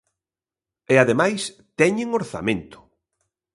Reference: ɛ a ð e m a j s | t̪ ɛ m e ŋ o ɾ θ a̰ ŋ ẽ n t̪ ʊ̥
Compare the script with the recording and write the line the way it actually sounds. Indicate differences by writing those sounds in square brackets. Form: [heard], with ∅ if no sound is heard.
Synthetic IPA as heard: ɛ a ð e m a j s | t̪ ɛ [ɲ] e ŋ o ɾ θ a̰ [m] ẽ n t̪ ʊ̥